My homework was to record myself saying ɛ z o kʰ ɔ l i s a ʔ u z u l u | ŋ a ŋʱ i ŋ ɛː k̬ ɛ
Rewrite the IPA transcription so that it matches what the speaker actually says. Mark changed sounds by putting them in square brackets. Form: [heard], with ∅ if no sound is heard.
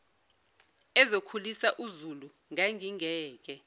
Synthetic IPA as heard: ɛ z o kʰ [u] l i s a ʔ u z u l u | ŋ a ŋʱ i ŋ ɛː k̬ ɛ